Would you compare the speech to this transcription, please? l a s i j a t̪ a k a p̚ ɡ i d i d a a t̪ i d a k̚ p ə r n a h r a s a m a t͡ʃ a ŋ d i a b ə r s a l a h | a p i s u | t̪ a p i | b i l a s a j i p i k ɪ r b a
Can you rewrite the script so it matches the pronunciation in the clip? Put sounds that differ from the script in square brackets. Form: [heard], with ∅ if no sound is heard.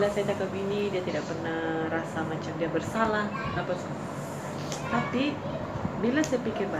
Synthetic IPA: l a s [a] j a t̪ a k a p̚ ɡ i [n] i d [i] a t̪ i d a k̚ p ə r n a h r a s a m a t͡ʃ a [m] d i a b ə r s a l a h | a p [a] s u | t̪ a p i | b i l a s a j [a] p i k ɪ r b a